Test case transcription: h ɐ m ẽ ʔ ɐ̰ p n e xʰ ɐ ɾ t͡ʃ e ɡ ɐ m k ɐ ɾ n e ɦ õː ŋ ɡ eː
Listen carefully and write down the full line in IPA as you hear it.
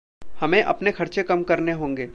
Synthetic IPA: h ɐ m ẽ ʔ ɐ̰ p n e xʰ ɐ ɾ t͡ʃ e k ɐ m k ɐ ɾ n e ɦ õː ŋ ɡ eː